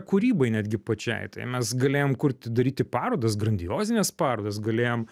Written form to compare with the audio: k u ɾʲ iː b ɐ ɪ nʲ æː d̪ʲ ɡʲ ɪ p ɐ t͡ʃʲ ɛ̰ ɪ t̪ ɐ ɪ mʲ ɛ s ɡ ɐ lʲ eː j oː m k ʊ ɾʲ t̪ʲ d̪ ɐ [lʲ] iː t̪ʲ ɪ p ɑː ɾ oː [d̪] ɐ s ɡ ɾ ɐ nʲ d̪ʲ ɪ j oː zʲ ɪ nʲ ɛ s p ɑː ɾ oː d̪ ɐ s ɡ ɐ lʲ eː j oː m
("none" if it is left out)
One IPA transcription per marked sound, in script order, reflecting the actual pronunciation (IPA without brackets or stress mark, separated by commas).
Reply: ɾʲ, d̪